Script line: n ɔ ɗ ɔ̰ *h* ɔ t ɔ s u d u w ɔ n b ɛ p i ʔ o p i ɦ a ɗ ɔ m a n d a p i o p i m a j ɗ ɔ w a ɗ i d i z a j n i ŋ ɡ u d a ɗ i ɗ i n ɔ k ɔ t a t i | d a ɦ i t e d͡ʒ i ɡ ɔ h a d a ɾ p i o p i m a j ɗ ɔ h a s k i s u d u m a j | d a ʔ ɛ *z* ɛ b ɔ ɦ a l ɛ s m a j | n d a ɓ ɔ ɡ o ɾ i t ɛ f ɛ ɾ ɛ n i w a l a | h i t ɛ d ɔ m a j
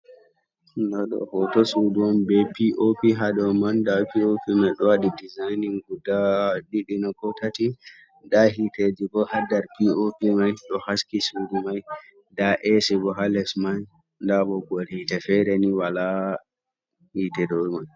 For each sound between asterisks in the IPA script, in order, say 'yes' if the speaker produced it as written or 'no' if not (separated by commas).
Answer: yes, no